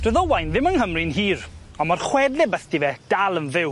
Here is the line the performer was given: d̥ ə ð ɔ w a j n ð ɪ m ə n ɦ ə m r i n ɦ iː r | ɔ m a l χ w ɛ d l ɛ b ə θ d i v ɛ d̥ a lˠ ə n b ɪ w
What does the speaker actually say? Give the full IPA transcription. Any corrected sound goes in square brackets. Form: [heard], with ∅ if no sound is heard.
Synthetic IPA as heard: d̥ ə ð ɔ w a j n ð ɪ m ə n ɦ ə m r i n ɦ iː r | ɔ m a [r] χ w ɛ d l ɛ b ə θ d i v ɛ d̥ a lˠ ə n [v] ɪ w